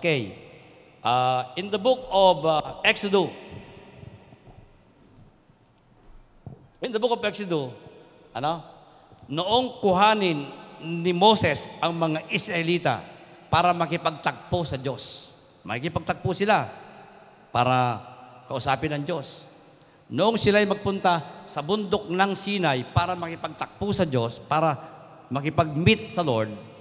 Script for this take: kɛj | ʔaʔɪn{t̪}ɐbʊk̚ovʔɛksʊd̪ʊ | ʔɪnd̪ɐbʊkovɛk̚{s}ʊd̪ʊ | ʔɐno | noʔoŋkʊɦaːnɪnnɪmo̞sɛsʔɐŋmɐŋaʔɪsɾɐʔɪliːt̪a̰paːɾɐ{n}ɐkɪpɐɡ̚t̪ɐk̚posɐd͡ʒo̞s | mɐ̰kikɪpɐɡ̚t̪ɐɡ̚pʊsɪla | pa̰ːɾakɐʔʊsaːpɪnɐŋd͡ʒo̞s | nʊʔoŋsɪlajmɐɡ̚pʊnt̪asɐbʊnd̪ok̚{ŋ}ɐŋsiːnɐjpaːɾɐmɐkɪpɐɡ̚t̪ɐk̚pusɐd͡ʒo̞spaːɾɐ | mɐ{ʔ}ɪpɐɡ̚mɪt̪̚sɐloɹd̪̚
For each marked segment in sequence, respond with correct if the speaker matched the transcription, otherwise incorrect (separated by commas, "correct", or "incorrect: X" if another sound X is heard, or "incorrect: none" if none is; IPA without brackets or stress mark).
incorrect: d̪, correct, incorrect: m, incorrect: n, incorrect: k